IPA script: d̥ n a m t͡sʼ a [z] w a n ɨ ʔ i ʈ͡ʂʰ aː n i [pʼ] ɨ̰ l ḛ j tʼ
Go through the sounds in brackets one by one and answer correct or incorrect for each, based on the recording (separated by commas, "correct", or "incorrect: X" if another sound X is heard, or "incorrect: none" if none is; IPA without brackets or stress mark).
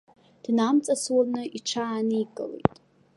incorrect: s, incorrect: kʼ